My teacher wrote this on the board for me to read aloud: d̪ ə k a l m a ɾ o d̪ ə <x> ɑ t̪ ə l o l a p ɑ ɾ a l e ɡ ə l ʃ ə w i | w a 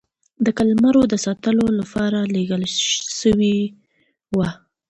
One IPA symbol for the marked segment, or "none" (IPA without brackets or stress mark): s